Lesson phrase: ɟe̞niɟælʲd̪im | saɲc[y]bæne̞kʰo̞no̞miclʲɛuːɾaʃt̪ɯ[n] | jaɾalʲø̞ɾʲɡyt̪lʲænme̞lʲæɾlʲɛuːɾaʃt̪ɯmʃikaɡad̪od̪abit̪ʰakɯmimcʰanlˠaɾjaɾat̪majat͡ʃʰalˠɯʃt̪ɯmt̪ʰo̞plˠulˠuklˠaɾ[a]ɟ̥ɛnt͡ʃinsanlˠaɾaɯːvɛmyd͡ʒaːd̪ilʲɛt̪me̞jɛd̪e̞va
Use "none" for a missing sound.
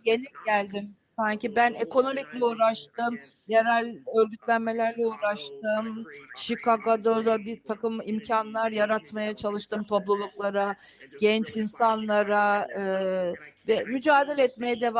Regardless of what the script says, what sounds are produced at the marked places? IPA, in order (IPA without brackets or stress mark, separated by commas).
i, m, a